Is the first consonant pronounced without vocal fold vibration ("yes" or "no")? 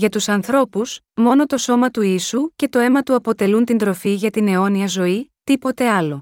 no